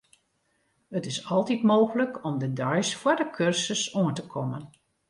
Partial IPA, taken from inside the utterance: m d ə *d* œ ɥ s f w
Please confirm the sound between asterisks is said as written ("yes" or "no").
yes